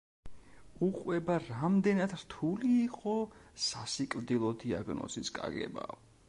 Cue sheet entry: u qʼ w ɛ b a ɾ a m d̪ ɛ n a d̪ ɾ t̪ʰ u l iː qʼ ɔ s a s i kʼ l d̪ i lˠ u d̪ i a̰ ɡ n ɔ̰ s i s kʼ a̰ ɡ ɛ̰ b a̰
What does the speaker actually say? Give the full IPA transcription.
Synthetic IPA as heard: u qʼ w ɛ b a ɾ a m d̪ ɛ n a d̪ ɾ t̪ʰ u l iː qʼ ɔ s a s i kʼ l d̪ i lˠ ɔ d̪ i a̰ ɡ n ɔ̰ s i s kʼ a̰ ɡ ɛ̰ b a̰